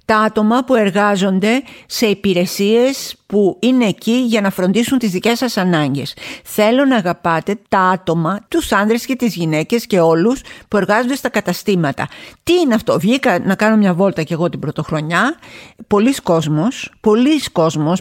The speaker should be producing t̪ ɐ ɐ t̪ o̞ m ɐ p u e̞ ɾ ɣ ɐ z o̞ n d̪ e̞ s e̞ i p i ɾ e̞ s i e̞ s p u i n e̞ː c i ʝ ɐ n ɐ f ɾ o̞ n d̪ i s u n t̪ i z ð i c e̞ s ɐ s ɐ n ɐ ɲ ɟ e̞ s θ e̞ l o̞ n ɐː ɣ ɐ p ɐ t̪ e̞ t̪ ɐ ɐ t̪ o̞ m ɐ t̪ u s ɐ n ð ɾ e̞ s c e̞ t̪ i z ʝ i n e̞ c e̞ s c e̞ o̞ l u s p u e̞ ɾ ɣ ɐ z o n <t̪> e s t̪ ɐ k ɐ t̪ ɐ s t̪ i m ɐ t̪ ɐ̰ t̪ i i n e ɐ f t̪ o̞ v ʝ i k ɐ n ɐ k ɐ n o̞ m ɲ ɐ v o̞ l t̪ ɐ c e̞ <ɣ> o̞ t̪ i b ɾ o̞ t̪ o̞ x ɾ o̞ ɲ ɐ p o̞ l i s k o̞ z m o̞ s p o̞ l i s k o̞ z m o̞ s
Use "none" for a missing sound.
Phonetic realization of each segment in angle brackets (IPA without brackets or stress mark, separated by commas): d̪, ɣ